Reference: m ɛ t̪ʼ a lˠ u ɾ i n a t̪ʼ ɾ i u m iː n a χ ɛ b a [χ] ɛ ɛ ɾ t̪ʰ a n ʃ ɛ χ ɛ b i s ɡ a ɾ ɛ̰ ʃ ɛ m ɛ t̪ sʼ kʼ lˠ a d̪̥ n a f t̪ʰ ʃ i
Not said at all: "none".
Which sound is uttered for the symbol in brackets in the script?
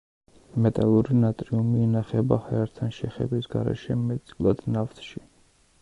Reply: h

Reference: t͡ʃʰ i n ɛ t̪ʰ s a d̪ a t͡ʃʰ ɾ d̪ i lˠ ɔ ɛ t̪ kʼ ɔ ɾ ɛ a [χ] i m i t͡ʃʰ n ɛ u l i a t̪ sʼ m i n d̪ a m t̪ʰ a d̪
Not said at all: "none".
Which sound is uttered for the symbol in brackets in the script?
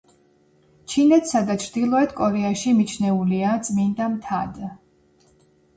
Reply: ʃ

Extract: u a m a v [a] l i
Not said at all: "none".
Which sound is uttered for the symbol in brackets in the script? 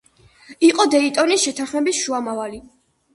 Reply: a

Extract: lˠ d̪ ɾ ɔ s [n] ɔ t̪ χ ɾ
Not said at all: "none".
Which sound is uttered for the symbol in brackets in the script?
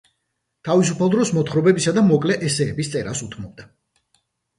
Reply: m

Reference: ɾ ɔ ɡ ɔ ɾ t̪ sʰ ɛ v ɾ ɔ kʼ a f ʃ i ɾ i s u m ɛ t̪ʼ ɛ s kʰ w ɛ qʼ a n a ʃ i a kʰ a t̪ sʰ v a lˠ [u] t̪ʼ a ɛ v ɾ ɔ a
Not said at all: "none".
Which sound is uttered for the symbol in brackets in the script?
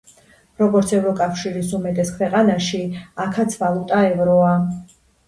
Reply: u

